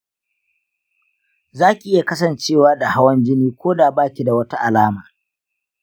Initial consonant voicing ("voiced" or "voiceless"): voiced